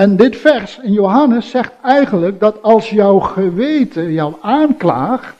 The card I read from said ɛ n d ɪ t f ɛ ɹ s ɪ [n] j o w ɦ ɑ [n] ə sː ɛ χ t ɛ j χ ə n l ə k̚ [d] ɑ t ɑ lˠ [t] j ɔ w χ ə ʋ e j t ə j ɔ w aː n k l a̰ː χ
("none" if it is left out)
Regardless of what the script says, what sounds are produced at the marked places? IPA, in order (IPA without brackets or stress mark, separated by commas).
n, n, d, s